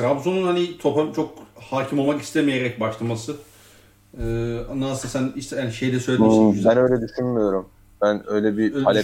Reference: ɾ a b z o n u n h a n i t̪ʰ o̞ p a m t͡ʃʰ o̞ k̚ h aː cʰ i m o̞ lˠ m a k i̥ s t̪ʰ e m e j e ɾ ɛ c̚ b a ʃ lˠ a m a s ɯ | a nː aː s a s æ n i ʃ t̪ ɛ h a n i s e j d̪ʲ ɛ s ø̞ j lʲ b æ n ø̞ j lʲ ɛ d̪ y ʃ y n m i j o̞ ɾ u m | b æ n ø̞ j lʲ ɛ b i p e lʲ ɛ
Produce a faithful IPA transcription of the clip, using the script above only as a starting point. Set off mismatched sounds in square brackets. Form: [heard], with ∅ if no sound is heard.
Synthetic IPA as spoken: ɾ a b z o n u n h a n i t̪ʰ o̞ p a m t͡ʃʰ o̞ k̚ h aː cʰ i m o̞ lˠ m a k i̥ s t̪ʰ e m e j e ɾ ɛ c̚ b a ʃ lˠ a m a s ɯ | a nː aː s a s æ n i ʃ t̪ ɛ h a n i [ʃ] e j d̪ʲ ɛ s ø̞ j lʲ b æ n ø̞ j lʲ ɛ d̪ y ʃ y n m i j o̞ ɾ u m | b æ n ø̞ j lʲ ɛ b i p [a] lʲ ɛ